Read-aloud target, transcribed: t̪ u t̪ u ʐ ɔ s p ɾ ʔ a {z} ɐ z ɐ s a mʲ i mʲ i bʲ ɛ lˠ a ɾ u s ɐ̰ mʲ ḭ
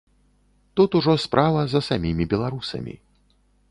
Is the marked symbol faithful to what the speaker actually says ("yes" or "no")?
no